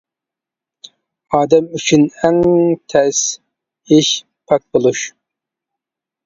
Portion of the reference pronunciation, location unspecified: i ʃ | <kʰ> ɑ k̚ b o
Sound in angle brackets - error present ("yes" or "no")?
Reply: yes